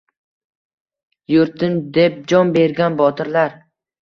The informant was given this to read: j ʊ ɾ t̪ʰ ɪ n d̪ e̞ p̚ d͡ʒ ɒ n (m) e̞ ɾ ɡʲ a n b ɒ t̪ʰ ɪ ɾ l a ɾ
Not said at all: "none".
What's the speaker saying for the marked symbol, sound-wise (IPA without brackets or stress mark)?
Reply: b